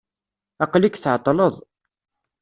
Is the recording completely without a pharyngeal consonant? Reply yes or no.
no